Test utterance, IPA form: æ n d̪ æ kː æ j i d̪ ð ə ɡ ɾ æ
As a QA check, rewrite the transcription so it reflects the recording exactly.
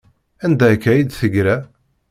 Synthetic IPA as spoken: æ n d̪ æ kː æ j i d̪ θ ə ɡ ɾ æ